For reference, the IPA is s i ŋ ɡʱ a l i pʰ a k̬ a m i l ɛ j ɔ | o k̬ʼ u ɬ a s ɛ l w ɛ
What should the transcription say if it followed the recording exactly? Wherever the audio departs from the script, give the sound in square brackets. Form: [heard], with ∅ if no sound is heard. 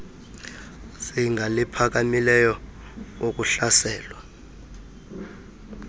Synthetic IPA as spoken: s i ŋ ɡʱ a l i pʰ a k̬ a m i l ɛ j ɔ | o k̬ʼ u ɬ a s [ɛː] l w [a]